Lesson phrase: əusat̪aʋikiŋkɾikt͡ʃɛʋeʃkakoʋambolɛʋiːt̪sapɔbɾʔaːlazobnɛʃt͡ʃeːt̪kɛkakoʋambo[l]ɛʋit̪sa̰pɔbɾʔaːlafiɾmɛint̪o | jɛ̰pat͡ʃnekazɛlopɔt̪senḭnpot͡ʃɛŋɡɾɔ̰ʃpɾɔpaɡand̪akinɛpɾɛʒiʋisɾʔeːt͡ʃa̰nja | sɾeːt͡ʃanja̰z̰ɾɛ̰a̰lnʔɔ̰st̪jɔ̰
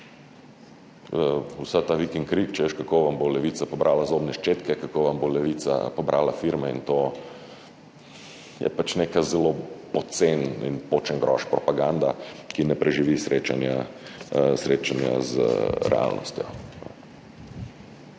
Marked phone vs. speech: correct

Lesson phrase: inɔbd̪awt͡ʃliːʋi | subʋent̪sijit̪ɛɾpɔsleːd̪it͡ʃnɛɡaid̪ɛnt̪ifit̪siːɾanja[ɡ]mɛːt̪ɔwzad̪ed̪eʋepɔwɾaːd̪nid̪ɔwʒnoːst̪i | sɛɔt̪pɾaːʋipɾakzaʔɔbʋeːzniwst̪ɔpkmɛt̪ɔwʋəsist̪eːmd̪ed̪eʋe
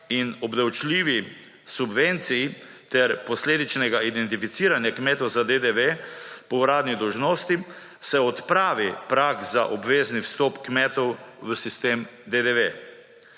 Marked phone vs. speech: incorrect: k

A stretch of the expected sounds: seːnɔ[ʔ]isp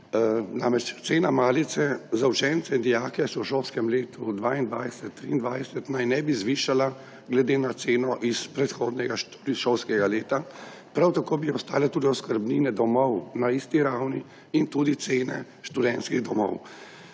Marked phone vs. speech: correct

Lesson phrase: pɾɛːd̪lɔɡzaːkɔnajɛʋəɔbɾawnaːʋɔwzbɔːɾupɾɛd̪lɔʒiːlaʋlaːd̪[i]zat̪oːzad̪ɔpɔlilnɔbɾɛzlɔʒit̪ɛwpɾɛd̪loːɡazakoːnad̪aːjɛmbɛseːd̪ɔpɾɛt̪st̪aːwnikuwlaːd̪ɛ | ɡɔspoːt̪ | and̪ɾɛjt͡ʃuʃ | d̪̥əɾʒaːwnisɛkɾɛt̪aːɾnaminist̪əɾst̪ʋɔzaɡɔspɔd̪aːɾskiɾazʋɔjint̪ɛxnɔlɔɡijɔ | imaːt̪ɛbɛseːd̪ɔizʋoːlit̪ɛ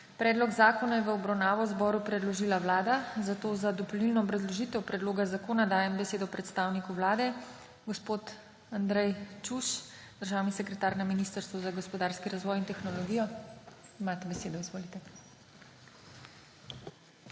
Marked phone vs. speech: incorrect: a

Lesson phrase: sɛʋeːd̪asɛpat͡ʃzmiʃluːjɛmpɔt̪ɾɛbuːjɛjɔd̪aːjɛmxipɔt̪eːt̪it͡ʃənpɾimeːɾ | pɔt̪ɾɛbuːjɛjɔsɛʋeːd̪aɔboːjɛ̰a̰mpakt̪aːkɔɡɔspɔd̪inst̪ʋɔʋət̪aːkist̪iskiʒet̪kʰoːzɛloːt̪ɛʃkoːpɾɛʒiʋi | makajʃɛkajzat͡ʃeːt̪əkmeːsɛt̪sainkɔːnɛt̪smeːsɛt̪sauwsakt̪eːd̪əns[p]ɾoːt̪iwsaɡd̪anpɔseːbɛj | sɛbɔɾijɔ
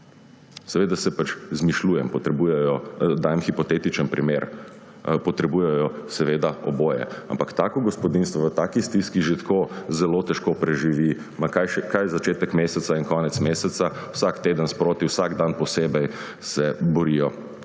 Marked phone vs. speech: correct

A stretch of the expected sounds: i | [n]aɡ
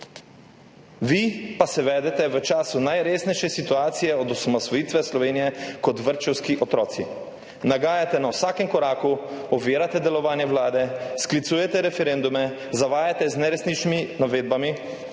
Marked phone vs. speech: correct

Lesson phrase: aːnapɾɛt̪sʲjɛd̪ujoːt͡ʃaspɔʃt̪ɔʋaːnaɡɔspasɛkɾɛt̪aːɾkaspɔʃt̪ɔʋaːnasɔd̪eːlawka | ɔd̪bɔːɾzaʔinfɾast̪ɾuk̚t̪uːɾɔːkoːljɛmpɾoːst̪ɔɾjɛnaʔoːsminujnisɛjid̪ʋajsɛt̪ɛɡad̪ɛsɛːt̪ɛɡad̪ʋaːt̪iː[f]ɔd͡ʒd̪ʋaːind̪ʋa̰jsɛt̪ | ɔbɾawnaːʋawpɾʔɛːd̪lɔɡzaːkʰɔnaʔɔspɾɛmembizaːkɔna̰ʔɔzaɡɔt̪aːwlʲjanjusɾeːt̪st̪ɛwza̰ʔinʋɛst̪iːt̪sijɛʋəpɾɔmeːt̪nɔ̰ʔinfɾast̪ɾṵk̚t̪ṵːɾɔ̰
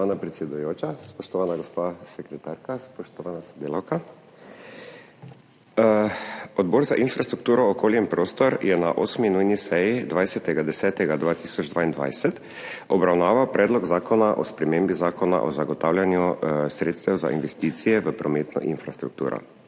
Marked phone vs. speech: incorrect: s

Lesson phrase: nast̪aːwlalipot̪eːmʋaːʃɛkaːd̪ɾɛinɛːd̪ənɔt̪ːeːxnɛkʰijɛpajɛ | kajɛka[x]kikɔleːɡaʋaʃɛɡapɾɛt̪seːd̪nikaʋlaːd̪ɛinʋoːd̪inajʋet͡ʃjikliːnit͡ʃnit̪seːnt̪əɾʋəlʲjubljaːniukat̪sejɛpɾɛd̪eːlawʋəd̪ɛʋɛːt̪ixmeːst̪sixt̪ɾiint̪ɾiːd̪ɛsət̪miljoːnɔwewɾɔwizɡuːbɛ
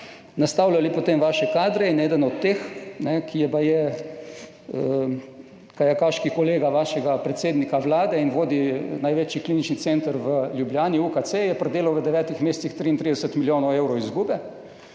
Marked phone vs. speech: incorrect: ʃ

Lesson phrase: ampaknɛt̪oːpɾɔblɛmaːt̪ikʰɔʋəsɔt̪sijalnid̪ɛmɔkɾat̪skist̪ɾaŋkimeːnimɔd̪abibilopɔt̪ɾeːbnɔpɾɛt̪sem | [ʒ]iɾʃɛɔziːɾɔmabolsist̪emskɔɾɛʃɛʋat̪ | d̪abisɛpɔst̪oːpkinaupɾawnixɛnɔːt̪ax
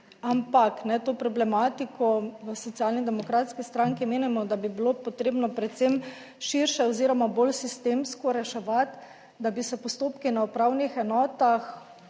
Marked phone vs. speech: incorrect: ʃ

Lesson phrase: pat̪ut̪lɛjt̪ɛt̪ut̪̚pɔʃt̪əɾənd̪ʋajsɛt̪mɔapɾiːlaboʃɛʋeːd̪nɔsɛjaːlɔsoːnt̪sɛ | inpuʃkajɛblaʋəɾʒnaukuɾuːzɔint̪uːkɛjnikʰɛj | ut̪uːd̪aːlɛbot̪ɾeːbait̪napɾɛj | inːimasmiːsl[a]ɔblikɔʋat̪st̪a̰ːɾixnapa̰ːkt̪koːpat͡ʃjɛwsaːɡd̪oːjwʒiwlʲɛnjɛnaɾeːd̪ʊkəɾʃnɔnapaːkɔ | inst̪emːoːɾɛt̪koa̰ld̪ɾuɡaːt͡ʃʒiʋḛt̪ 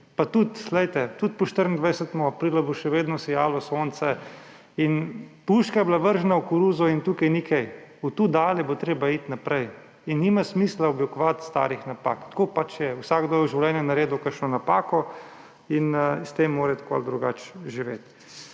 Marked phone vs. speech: correct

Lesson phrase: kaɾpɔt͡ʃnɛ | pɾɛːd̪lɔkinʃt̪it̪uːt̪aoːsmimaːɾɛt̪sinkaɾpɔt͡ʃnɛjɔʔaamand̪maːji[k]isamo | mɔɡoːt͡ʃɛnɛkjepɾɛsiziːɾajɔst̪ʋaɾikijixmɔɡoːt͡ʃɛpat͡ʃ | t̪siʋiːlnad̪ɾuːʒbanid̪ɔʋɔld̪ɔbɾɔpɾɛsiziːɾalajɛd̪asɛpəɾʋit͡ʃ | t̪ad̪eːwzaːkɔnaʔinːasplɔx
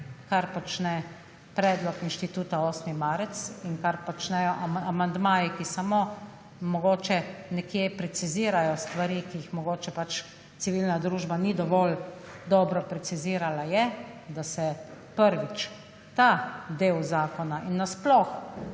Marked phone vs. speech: correct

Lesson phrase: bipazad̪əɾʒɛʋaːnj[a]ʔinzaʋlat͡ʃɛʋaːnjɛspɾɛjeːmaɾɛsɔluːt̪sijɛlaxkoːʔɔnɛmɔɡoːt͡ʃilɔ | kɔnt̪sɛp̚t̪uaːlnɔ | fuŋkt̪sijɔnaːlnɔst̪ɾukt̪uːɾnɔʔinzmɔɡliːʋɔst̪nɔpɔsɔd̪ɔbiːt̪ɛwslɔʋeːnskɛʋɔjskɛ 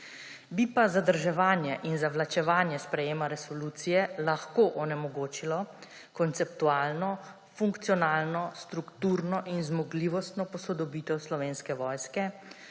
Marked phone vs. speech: incorrect: ɛ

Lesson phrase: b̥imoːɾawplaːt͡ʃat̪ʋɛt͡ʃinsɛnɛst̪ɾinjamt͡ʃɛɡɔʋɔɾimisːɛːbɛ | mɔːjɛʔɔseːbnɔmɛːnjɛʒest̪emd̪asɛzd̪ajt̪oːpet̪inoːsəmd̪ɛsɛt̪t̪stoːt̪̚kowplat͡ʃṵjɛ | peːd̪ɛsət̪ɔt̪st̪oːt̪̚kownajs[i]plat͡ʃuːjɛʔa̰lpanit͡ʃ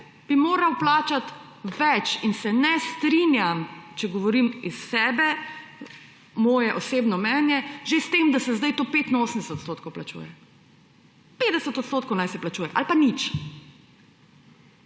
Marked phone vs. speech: incorrect: ɛ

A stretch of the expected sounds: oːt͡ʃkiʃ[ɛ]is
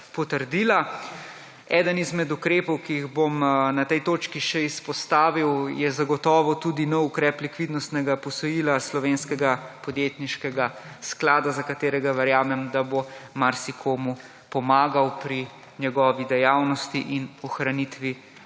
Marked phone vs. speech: correct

